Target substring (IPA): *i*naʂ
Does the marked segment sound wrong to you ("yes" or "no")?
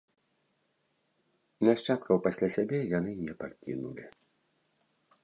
no